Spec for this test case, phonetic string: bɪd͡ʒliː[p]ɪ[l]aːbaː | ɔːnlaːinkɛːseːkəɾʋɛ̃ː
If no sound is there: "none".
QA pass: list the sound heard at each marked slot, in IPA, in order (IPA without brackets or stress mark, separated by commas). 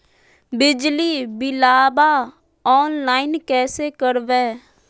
b, l